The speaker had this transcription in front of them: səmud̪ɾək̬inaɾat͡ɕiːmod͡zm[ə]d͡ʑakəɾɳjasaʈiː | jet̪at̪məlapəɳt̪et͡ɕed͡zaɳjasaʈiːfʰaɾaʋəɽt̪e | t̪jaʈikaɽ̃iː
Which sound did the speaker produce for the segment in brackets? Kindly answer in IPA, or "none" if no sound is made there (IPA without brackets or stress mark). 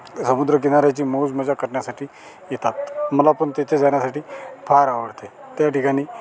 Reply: ə